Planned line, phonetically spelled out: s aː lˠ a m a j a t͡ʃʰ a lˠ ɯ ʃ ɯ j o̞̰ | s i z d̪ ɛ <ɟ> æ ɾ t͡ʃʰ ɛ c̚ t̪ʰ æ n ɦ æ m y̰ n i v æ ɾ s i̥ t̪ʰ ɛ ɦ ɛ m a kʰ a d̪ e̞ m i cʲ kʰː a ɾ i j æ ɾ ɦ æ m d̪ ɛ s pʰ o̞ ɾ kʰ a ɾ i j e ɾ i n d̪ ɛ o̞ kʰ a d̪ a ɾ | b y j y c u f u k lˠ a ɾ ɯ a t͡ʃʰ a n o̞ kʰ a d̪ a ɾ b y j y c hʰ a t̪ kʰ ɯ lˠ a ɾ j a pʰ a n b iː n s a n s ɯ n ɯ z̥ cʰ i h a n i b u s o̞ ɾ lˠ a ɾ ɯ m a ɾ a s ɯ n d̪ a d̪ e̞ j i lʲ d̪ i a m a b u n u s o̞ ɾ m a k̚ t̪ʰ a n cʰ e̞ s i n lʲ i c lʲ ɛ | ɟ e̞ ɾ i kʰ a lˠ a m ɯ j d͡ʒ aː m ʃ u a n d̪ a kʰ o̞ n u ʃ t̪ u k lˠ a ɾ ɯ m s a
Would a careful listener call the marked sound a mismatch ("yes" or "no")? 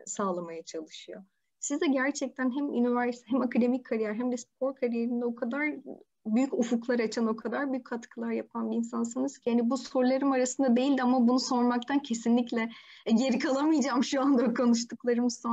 no